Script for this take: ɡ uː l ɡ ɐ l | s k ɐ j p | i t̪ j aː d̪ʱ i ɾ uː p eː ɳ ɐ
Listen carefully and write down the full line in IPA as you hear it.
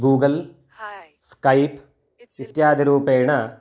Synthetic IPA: ɡ uː ɡ ɐ l | s k ɐ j p | i t̪ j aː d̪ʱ i ɾ uː p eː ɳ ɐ